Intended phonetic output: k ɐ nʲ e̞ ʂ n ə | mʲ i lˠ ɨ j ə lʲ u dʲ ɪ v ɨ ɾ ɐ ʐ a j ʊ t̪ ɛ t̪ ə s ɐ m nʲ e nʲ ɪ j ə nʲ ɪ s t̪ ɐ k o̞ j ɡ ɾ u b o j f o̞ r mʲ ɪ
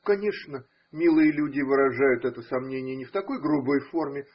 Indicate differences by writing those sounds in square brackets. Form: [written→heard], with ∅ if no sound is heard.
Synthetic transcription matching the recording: k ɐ nʲ e̞ ʂ n ə | mʲ i lˠ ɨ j ə lʲ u dʲ ɪ v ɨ ɾ ɐ ʐ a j ʊ t̪ ɛ t̪ ə s ɐ m nʲ e nʲ ɪ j ə nʲ ɪ [s→f] t̪ ɐ k o̞ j ɡ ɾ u b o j f o̞ r mʲ ɪ